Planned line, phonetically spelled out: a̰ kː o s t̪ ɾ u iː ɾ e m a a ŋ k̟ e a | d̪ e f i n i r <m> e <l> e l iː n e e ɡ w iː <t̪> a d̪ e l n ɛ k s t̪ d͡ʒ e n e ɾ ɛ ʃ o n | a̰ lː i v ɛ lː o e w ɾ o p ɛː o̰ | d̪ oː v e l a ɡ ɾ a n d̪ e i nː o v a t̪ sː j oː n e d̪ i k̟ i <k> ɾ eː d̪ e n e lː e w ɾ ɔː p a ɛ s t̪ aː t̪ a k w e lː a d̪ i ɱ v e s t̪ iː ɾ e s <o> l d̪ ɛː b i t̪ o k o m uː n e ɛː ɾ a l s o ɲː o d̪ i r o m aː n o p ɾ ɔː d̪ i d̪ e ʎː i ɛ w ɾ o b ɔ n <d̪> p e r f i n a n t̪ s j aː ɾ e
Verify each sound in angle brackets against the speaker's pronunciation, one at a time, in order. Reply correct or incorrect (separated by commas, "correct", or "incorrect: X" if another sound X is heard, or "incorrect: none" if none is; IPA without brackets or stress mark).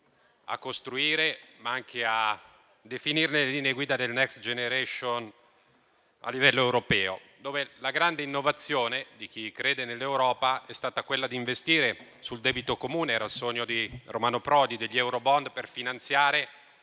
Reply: incorrect: n, correct, incorrect: d̪, correct, incorrect: u, correct